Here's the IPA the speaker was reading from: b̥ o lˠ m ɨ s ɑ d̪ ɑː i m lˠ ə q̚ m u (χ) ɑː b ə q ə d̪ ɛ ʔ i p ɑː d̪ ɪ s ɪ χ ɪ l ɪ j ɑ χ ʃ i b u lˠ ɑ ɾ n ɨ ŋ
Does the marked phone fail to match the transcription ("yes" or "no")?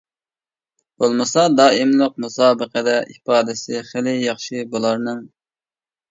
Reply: yes